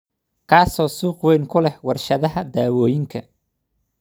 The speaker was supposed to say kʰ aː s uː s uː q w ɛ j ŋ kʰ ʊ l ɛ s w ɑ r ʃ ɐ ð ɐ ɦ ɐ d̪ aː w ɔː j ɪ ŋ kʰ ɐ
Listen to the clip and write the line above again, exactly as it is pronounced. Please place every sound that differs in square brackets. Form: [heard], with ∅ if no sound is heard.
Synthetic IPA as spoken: kʰ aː s [ɔː] s uː q w ɛ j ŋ kʰ ʊ l ɛ [h] w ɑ r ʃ ɐ ð ɐ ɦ ɐ d̪ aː w ɔː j ɪ ŋ kʰ ɐ